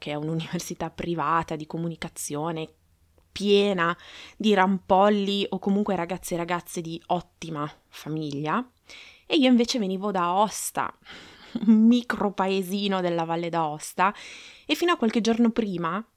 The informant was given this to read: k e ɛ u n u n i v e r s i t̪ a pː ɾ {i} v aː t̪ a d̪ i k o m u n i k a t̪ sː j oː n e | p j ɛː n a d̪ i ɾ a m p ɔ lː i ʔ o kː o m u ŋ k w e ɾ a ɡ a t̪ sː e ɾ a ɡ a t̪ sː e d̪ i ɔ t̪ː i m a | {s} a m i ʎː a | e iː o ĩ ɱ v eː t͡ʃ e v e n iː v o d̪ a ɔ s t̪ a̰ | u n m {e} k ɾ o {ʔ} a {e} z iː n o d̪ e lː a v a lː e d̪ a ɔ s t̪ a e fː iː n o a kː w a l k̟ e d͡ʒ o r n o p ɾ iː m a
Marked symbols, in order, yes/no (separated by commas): yes, no, no, no, yes